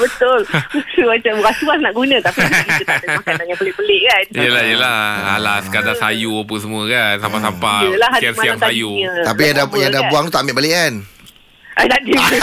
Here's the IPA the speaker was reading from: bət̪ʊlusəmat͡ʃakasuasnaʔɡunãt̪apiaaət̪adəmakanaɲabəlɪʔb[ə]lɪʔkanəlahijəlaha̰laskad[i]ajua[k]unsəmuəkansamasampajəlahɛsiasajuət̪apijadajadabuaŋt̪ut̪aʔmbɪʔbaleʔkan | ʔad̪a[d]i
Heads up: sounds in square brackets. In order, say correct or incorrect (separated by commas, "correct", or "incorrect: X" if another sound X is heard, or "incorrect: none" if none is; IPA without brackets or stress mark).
correct, incorrect: a, incorrect: p, correct